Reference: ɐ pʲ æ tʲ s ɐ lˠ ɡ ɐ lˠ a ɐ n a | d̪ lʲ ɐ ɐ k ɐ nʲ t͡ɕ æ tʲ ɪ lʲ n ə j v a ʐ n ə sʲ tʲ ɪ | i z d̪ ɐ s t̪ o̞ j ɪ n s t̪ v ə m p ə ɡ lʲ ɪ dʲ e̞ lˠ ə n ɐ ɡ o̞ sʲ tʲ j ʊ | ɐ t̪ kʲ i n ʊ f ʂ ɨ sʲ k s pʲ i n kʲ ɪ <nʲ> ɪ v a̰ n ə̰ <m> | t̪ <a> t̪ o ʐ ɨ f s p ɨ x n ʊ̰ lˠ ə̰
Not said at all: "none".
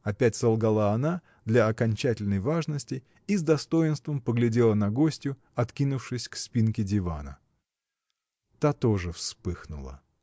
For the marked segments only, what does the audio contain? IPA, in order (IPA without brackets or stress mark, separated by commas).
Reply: dʲ, none, a